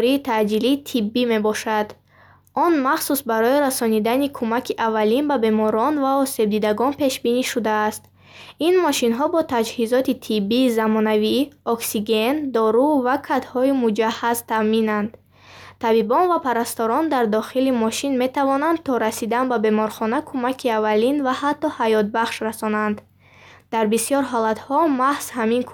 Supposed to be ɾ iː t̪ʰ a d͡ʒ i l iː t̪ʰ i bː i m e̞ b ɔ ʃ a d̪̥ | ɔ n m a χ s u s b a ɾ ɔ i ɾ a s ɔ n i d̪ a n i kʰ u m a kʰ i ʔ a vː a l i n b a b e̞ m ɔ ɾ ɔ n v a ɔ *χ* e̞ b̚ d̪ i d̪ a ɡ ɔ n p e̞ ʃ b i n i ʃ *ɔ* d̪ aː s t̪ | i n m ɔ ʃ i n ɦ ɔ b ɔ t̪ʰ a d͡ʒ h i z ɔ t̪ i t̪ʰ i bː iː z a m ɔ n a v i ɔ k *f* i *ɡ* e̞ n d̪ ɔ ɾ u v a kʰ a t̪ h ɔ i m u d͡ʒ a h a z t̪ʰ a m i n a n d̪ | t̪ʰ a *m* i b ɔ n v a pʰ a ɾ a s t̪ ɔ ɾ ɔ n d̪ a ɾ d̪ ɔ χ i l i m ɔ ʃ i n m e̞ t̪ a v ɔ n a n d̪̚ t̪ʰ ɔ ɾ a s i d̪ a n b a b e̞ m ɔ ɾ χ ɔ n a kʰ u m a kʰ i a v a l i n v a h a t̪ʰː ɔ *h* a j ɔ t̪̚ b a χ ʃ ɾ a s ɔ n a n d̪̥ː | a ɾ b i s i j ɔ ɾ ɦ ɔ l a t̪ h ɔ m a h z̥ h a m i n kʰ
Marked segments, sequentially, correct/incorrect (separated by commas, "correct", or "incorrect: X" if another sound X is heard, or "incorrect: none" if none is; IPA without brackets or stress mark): incorrect: s, incorrect: u, incorrect: s, correct, incorrect: b, correct